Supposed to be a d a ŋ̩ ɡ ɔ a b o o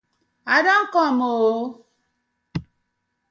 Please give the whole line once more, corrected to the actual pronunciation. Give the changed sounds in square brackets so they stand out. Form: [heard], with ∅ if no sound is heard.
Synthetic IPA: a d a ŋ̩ [k] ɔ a [m] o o